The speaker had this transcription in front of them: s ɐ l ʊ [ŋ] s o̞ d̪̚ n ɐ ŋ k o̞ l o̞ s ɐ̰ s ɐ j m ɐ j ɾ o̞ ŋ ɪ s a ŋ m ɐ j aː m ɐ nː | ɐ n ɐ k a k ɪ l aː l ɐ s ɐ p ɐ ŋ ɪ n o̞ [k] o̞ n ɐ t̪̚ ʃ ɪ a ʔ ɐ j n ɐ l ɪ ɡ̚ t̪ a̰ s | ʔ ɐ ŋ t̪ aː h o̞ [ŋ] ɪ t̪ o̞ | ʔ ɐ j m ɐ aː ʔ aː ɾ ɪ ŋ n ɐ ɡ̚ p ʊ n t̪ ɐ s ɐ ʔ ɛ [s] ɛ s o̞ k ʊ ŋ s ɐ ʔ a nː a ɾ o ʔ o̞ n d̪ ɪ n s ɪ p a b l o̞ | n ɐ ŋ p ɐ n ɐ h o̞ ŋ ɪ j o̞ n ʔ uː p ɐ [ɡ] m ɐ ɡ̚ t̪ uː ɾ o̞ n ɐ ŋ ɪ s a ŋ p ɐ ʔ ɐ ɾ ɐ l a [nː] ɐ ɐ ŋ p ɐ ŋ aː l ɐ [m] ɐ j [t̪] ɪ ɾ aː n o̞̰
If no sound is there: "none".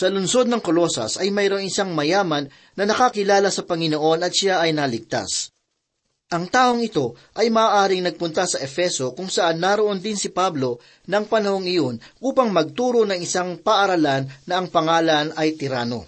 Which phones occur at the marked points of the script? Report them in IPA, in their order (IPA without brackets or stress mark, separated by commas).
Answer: n, ʔ, ŋ, f, ŋ, nː, n, t̪